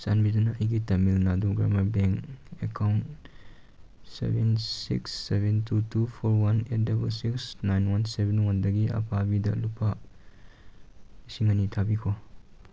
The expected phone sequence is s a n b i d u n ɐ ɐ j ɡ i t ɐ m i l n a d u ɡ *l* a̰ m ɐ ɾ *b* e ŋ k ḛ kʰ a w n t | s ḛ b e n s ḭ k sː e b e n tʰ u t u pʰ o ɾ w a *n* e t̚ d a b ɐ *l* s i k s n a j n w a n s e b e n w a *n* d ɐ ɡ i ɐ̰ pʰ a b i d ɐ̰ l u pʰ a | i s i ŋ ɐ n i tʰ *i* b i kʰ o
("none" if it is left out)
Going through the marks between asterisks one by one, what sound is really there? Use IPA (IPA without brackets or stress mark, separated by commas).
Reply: ɾ, b, n, l, n, a